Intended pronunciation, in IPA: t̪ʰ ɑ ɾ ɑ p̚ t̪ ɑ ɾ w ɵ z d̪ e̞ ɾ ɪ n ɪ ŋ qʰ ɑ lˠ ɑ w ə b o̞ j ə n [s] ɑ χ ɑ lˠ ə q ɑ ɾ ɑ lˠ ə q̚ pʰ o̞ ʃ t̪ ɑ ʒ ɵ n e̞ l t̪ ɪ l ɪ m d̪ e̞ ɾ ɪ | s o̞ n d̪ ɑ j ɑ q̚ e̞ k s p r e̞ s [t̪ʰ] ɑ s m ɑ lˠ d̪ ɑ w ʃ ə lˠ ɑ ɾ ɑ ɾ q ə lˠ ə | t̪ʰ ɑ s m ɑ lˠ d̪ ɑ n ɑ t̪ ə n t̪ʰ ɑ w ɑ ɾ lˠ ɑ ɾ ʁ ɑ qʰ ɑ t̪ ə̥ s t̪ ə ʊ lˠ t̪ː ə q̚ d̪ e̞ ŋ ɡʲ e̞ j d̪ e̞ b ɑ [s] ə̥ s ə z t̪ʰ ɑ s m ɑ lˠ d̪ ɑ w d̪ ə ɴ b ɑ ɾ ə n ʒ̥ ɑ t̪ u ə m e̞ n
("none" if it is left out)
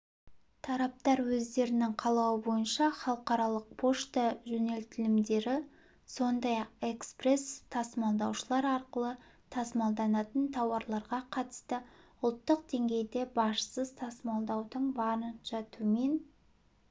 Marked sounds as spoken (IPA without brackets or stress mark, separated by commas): ʃ, t̪ʰ, ʃ